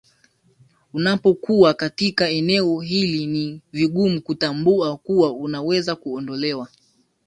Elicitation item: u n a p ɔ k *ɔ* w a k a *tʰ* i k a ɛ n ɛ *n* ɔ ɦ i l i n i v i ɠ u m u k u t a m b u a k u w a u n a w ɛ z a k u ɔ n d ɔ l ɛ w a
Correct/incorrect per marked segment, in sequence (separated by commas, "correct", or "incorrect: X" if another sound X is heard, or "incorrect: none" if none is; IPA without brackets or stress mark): incorrect: u, incorrect: t, incorrect: none